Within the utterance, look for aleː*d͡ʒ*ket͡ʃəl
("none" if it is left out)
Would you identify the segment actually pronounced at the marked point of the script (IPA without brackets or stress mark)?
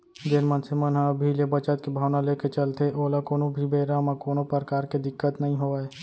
none